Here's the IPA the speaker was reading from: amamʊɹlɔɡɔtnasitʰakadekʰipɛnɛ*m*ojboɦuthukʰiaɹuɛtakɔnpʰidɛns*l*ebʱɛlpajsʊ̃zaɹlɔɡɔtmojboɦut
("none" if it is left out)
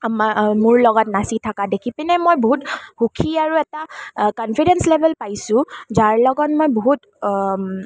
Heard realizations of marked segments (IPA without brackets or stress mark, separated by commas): m, l